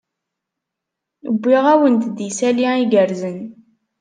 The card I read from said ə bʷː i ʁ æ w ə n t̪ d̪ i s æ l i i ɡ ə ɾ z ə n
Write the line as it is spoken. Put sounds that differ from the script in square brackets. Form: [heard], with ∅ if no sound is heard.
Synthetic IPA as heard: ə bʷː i ʁ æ w ə n t̪ d̪ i s æ l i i ɡ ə ɾ z ə n